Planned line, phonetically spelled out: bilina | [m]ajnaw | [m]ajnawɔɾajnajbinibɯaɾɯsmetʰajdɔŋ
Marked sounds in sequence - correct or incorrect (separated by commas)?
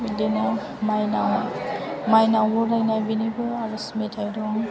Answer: correct, correct